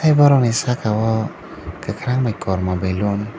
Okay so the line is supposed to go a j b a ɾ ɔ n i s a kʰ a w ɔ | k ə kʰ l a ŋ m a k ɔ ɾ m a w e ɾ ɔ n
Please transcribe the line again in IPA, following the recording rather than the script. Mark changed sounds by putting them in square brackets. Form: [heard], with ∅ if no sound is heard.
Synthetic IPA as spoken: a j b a ɾ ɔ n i s a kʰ a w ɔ | k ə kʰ [ɾ] a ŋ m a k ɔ ɾ m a [b] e [l] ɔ n